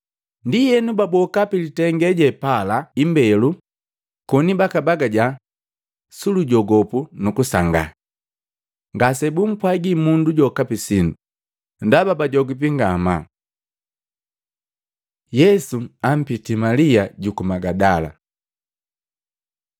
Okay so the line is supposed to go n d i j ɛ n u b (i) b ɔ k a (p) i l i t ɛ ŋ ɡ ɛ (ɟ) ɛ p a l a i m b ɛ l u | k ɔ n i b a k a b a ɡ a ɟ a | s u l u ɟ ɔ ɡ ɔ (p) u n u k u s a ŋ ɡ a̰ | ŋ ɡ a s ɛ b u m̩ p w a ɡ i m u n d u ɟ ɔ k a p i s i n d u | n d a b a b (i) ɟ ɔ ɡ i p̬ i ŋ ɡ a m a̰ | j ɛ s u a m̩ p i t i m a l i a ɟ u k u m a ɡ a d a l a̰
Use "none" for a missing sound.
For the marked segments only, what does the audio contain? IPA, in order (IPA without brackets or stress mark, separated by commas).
a, p, ɟ, p, a